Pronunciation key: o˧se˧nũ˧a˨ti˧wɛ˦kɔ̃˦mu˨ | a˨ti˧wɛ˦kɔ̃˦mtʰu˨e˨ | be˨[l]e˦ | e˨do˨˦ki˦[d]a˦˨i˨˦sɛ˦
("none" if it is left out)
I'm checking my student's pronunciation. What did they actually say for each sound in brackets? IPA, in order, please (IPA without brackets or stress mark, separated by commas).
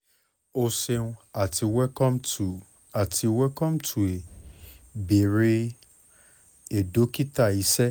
ɾ, t